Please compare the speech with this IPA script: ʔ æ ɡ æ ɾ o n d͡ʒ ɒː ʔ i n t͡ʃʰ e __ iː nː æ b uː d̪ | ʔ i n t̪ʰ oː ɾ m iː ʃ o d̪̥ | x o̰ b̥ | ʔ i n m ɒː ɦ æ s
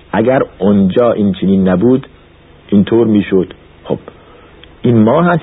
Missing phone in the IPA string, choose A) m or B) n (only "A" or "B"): B